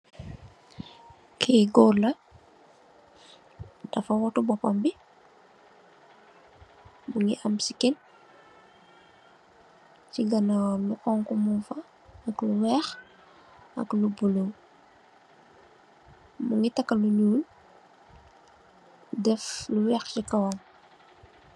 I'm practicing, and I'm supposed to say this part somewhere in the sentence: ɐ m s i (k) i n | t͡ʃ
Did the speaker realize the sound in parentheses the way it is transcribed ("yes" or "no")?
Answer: yes